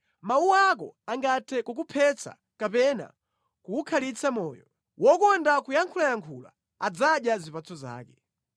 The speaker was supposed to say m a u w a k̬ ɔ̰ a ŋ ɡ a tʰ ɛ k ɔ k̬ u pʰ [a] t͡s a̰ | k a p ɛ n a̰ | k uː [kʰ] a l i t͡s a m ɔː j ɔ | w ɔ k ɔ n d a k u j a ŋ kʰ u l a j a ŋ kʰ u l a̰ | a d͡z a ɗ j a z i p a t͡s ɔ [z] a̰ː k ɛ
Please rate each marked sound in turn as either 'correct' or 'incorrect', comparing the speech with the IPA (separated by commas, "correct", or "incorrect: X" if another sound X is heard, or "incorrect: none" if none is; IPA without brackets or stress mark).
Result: incorrect: ɛ, correct, correct